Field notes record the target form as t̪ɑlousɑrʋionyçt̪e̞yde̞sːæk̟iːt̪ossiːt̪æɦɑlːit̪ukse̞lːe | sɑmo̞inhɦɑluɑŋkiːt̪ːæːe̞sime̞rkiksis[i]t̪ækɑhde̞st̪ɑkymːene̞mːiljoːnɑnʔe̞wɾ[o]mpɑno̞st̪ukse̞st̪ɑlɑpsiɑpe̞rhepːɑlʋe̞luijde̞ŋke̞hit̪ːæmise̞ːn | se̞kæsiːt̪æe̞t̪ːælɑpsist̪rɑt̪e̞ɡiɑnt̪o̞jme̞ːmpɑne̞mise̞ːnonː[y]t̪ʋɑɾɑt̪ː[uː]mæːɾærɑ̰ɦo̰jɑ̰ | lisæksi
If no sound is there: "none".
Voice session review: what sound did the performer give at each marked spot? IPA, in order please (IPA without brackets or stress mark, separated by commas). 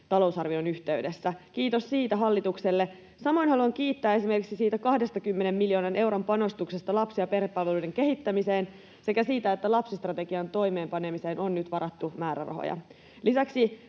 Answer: iː, o, y, u